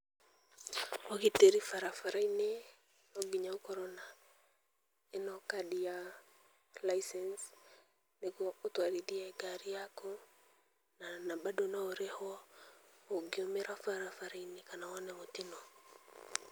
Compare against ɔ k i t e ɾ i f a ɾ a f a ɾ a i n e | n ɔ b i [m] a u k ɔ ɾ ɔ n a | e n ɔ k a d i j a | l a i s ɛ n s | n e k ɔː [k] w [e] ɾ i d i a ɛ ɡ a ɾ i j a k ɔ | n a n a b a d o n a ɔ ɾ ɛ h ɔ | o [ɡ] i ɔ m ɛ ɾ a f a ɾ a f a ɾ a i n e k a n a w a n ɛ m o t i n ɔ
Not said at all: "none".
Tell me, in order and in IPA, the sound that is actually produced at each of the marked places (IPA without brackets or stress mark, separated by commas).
ɲ, t, a, ɡ